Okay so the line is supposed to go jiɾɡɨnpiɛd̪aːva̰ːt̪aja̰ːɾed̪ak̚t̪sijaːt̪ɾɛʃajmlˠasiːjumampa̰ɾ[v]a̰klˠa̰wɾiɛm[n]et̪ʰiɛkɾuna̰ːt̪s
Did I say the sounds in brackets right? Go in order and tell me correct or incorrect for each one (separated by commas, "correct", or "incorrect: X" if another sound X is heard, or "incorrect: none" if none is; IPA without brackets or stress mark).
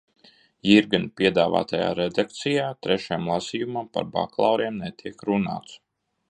incorrect: b, correct